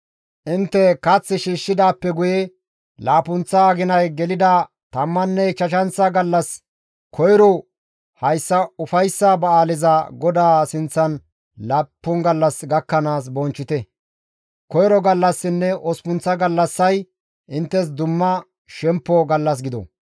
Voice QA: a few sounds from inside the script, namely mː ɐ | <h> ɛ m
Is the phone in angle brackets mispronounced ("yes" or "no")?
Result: yes